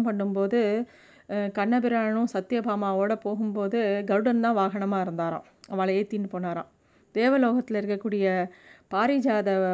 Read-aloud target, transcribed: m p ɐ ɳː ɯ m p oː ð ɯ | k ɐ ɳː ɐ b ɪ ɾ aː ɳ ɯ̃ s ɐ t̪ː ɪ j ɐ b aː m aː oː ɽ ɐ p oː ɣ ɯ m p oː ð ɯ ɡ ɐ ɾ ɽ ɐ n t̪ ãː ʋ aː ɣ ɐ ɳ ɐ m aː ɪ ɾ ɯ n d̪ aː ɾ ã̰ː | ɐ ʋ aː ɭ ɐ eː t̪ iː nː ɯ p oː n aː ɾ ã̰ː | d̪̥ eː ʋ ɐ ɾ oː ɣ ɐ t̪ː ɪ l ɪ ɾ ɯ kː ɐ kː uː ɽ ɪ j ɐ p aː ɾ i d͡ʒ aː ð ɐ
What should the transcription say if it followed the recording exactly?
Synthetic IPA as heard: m p ɐ ɳː ɯ m p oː ð ɯ | k ɐ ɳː ɐ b ɪ ɾ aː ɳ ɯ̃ s ɐ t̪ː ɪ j ɐ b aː m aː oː ɽ ɐ p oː ɣ ɯ m p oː ð ɯ ɡ ɐ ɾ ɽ ɐ n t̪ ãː ʋ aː ɣ ɐ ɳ ɐ m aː ɪ ɾ ɯ n d̪ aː ɾ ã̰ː | ɐ ʋ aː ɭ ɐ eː t̪ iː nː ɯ p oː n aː ɾ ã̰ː | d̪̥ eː ʋ ɐ l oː ɣ ɐ t̪ː ɪ l ɪ ɾ ɯ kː ɐ kː uː ɽ ɪ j ɐ p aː ɾ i d͡ʒ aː ð ɐ